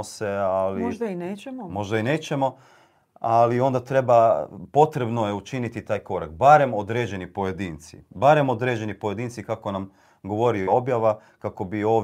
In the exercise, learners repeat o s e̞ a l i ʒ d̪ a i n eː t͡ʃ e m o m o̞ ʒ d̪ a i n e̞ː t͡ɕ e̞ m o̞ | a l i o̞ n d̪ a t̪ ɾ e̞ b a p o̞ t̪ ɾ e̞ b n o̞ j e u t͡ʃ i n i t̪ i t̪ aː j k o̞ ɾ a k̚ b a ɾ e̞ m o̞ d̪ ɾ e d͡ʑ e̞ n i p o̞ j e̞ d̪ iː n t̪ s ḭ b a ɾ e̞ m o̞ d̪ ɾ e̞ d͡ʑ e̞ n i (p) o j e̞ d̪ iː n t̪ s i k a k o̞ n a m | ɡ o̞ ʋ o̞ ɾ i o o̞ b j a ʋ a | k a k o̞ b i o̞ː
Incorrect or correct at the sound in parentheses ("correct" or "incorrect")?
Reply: correct